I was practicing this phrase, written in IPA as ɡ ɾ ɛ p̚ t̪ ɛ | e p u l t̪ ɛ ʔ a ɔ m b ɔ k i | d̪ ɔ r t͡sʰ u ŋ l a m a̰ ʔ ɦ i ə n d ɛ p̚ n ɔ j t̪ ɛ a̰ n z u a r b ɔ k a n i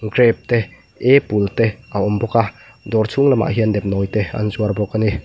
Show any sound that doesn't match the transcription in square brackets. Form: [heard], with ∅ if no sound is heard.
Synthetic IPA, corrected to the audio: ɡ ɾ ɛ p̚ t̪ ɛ | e p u l t̪ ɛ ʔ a ɔ m b ɔ k [a] | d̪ ɔ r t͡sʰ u ŋ l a m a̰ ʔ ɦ i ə n d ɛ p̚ n ɔ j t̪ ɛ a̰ n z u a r b ɔ k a n i